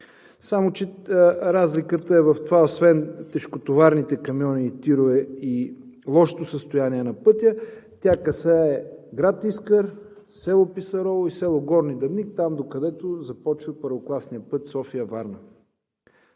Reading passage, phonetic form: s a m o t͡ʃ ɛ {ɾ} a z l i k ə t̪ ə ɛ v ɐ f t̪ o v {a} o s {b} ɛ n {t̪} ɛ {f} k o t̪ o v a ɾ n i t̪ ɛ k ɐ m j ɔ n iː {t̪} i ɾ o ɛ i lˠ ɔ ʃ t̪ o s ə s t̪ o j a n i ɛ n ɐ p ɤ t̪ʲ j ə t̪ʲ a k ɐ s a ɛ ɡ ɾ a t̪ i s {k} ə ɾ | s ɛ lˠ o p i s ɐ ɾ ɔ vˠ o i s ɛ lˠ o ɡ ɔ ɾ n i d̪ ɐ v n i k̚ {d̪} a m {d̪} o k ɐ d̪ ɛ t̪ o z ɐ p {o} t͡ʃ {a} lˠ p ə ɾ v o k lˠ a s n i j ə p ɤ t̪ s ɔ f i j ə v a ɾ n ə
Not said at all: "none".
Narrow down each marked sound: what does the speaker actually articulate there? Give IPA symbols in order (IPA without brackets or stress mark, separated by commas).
ɾ, a, v, t̪, ʃ, t̪, k, t̪, d̪, ɔ, i